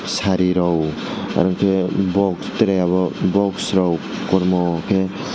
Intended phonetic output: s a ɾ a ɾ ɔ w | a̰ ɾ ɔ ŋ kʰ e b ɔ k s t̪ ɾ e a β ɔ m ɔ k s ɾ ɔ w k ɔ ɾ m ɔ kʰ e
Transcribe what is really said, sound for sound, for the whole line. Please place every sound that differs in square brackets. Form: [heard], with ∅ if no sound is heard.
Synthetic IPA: s a ɾ [i] ɾ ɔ w | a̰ ɾ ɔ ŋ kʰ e b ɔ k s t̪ ɾ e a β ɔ [b] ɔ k s ɾ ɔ w k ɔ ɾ m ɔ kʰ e

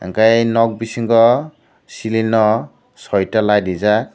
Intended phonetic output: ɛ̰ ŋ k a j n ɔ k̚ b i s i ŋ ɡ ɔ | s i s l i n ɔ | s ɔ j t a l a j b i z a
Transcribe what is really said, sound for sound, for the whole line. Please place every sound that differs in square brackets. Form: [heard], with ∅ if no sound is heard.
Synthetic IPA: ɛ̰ ŋ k a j n ɔ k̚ b i s i ŋ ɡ ɔ | s i [∅] l i n ɔ | s ɔ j t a l a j [d] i z a

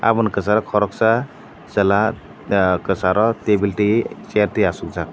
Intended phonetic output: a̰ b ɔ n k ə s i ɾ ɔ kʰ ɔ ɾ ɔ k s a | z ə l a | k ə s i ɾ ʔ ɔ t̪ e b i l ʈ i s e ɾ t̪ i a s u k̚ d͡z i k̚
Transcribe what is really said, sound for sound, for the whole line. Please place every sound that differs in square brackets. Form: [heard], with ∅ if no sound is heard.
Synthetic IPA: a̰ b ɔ n k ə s [a] ɾ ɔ kʰ ɔ ɾ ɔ k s a | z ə l a | k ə s [a] ɾ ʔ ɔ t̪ e b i l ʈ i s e ɾ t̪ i a s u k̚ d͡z [a] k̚

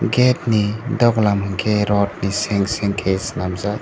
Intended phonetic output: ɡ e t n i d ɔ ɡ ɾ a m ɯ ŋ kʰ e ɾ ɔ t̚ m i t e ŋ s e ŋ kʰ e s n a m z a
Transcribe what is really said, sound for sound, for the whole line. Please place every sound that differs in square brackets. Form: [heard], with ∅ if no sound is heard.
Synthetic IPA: ɡ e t n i d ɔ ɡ [l] a m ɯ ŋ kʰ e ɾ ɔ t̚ [n] i [s] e ŋ s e ŋ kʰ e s n a m z a

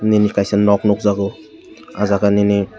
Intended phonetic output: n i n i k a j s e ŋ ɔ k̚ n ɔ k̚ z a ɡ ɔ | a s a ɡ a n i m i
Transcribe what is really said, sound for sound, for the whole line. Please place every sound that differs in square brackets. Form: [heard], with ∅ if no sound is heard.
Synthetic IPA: n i n i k a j s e [n] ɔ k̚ n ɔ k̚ z a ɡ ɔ | a [z] a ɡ a n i [n] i

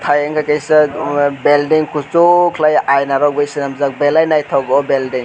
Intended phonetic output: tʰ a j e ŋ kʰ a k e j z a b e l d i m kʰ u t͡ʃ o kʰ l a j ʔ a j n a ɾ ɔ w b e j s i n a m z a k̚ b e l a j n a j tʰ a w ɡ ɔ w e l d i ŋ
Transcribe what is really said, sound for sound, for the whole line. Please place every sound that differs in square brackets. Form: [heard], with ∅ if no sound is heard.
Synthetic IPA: tʰ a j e ŋ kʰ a k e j [s] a b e l d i [ŋ] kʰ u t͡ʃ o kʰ l a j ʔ a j n a ɾ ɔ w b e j s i n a m z a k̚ b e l a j n a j tʰ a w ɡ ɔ [b] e l d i ŋ

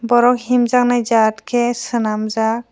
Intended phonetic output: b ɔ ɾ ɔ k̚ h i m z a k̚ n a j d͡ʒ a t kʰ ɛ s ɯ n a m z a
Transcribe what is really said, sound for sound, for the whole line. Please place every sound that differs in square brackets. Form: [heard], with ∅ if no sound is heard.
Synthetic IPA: b ɔ ɾ ɔ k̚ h i m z a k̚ n a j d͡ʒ a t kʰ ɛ s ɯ n a m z a

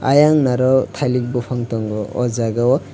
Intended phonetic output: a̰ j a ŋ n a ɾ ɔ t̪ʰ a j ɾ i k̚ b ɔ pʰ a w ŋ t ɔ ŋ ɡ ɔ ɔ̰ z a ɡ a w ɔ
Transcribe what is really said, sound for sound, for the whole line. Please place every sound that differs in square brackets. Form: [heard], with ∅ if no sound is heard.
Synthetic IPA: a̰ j a ŋ n a ɾ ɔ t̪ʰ a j [l] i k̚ b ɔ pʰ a [∅] ŋ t ɔ ŋ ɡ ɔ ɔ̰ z a ɡ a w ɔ

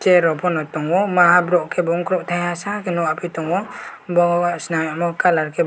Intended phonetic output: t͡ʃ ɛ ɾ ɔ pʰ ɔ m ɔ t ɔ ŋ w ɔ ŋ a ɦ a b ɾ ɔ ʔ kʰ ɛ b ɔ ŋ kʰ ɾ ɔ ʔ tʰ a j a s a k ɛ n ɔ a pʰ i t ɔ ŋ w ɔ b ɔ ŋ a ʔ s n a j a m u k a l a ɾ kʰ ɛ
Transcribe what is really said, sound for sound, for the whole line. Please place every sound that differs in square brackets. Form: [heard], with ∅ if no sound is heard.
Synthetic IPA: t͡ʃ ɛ ɾ ɔ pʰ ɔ [n] ɔ t ɔ ŋ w ɔ [m] a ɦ a b ɾ ɔ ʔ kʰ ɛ b ɔ ŋ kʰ ɾ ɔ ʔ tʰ a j a s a k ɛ n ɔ a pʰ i t ɔ ŋ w ɔ b ɔ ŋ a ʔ s n a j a m [ɔ] k a l a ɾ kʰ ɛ

